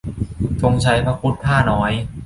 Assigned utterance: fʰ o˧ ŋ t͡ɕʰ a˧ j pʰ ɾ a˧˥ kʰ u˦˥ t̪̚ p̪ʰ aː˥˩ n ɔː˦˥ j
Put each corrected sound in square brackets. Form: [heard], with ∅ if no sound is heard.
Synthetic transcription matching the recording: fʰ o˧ ŋ t͡ɕʰ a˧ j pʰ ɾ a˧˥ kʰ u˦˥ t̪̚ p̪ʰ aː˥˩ n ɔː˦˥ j